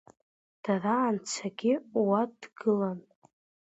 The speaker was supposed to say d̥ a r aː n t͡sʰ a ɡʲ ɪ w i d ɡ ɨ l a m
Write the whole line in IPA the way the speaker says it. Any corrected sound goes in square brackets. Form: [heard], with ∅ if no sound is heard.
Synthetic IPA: d̥ a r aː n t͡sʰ a ɡʲ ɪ w [a] d ɡ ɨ l a [n]